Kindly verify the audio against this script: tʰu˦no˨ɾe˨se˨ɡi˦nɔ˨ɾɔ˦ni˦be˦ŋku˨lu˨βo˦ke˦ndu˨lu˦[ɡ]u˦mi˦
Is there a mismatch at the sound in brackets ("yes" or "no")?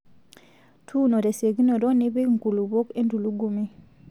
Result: no